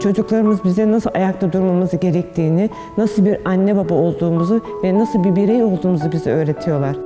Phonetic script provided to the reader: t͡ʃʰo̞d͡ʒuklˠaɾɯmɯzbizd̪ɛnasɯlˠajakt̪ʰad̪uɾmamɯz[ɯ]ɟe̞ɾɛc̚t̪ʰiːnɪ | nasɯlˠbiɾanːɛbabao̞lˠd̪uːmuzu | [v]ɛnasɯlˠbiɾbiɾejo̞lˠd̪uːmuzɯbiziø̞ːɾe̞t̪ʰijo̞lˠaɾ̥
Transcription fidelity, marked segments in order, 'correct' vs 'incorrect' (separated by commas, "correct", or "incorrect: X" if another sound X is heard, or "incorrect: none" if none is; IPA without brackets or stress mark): correct, correct